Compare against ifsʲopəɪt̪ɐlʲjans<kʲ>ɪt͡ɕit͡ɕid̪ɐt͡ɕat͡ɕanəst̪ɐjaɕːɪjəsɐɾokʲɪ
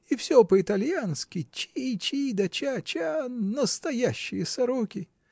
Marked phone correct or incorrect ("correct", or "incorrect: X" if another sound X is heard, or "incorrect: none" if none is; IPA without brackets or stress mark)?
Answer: correct